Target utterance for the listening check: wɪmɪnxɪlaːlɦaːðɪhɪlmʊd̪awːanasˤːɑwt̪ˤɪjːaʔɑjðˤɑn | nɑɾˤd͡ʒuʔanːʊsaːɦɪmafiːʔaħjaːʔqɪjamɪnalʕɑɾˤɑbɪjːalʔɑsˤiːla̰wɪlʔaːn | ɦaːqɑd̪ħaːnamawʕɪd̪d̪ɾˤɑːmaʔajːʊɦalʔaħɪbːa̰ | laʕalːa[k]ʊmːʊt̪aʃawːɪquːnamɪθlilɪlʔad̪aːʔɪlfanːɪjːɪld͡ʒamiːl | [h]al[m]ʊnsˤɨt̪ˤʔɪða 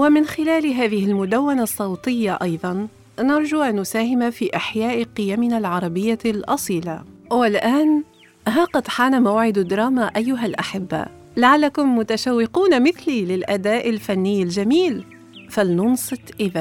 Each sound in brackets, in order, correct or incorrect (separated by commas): correct, incorrect, incorrect